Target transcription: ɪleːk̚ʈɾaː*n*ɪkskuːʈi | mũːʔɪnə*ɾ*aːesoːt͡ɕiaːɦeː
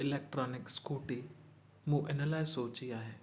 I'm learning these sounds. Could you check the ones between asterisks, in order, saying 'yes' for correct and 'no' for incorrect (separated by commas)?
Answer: yes, no